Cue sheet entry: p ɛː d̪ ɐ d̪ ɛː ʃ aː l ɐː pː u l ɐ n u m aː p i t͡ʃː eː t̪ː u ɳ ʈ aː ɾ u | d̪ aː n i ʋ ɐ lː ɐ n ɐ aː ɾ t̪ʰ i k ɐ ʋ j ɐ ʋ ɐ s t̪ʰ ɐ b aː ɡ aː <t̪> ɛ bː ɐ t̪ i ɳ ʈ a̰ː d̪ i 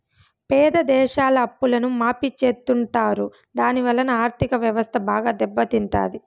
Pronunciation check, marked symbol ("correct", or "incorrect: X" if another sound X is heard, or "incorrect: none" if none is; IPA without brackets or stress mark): incorrect: d̪